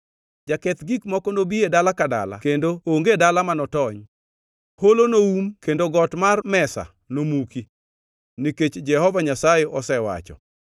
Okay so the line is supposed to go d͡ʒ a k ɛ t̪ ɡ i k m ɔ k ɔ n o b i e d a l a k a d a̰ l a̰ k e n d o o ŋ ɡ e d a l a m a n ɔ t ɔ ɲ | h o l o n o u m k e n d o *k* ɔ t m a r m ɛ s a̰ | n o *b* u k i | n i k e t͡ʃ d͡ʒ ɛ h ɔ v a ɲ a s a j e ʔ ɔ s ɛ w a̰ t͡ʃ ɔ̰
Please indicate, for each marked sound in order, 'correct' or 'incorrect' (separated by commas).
incorrect, incorrect